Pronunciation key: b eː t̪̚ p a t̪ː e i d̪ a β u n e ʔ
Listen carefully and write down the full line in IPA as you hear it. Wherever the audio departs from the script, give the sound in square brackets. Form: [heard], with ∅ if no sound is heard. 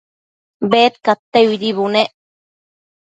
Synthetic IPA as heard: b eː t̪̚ [k] a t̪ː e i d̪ [i] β u n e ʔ